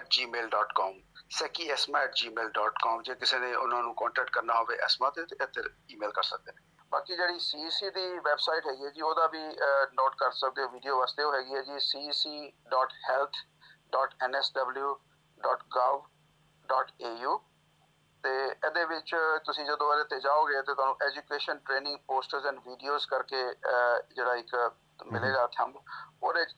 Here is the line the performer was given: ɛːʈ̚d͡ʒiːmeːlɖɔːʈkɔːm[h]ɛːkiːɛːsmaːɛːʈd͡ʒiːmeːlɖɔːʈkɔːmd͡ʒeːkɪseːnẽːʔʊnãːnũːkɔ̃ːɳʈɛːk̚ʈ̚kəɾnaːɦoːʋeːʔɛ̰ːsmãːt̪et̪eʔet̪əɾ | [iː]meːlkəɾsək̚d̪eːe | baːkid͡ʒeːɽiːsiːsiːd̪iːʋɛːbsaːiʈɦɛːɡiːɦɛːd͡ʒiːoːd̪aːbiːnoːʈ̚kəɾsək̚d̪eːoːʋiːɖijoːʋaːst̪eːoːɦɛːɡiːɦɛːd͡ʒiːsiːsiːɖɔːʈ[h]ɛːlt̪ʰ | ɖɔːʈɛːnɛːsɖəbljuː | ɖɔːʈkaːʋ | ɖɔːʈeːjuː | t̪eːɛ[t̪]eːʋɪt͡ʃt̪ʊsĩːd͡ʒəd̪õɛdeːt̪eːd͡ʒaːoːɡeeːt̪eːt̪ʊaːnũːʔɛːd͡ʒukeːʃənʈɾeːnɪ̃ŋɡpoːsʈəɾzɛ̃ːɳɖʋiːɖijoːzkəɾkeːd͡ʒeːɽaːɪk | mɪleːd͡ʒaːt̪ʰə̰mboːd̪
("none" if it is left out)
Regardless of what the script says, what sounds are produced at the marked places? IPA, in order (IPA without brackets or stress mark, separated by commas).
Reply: s, iː, h, d̪